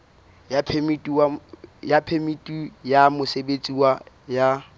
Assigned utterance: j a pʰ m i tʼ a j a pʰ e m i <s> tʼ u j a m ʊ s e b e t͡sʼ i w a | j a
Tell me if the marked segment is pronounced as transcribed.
no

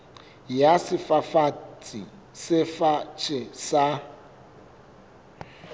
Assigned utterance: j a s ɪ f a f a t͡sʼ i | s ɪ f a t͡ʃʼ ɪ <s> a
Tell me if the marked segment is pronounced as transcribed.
yes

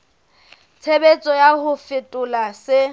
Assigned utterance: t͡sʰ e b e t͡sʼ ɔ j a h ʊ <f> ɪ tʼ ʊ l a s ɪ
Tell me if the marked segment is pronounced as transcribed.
yes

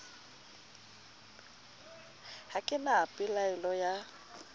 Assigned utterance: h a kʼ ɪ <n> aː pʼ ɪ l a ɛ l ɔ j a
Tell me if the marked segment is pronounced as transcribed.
yes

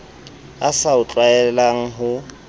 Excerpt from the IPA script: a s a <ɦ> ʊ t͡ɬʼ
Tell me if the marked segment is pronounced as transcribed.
no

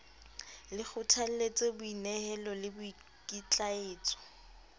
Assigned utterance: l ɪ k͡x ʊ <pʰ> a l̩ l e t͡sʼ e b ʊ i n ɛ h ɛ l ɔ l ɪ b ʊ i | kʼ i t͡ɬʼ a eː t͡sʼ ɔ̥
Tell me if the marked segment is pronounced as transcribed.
no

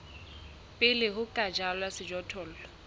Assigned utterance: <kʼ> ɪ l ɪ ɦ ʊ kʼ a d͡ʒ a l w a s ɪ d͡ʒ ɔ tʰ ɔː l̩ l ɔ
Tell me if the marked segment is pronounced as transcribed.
no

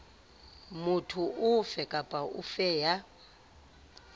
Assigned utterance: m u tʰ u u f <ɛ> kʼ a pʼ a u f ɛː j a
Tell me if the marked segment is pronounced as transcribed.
yes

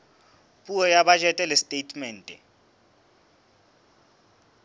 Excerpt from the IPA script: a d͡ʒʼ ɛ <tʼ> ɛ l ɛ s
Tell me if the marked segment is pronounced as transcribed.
yes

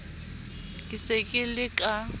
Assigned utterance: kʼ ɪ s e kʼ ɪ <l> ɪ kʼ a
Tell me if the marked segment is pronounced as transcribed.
yes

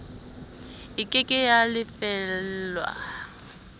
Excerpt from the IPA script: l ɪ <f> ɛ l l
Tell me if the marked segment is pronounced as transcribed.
yes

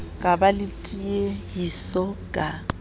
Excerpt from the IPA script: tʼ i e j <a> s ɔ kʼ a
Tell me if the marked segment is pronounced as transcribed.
no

